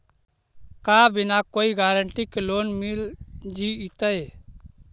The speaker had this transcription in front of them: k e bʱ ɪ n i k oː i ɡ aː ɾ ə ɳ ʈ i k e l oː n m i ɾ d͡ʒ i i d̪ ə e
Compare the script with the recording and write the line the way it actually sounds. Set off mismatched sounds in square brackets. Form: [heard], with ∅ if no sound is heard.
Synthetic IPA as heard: k [a] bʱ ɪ n [a] k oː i ɡ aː ɾ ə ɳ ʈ i k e l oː n m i [l] d͡ʒ i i [t̪] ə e